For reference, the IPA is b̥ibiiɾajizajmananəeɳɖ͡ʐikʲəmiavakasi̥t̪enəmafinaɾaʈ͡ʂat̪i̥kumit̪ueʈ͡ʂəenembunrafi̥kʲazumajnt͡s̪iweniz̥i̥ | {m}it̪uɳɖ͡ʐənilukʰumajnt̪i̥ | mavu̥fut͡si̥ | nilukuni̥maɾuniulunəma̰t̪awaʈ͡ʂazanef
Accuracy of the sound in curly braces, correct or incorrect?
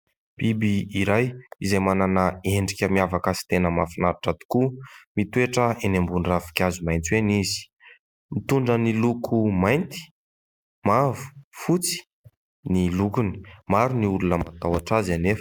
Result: correct